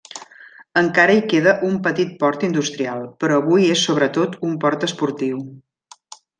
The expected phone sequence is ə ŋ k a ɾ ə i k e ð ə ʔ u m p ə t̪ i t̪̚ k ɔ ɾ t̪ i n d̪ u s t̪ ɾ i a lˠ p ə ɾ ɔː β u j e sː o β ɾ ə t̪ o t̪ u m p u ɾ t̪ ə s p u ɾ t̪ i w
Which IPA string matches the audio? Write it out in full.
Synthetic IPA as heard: ə ŋ k a ɾ ə i k e ð ə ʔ u m p ə t̪ i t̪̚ p ɔ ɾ t̪ i n d̪ u s t̪ ɾ i a lˠ p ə ɾ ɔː β u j e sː o β ɾ ə t̪ o t̪ u m p ɔ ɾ t̪ ə s p u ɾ t̪ i w

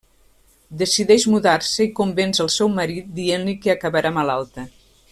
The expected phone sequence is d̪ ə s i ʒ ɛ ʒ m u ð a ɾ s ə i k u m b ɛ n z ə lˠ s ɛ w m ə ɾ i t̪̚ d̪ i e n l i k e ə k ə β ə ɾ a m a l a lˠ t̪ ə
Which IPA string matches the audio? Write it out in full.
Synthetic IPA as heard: d̪ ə s i ð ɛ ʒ m u ð a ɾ s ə i k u m b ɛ n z ə lˠ s ɛ w m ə ɾ i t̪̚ d̪ i e n l i k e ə k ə β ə ɾ a m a l a lˠ t̪ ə

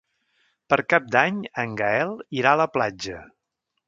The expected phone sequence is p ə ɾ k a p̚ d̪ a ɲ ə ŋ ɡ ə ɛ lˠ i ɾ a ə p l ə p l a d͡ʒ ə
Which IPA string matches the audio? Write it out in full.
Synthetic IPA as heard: p ə ɾ k a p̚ d̪ a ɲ ə ŋ ɡ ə ɛ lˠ i ɾ a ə l ə p l a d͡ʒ ə

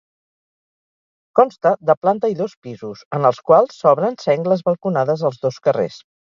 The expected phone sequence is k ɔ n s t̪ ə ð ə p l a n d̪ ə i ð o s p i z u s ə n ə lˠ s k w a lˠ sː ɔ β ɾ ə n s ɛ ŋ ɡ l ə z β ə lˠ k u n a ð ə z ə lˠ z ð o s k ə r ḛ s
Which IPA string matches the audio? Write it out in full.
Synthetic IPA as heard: k ɔ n s t̪ ə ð ə p l a n t̪ ə i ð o s p i z u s ə n ə lˠ s k w a lˠ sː ɔ β ɾ ə n s ɛ ŋ ɡ l ə z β ə lˠ k u n a ð ə z ə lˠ z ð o s k ə r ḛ s

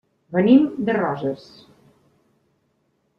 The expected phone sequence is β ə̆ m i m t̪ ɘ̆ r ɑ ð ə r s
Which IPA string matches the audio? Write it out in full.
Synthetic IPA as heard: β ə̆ n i m d̪ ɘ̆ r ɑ ʒ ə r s

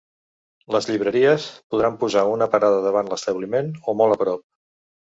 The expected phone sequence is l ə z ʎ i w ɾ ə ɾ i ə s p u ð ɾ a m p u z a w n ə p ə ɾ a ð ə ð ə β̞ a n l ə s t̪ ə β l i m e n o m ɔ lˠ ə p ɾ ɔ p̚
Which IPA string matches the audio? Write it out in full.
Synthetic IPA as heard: l ə z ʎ i β ɾ ə ɾ i ə s p u ð ɾ a m p u z a u n ə p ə ɾ a ð ə ð ə β̞ a n l ə s t̪ ə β l i m e n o m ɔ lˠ ə p ɾ ɔ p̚

